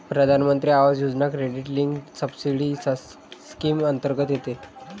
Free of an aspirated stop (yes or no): yes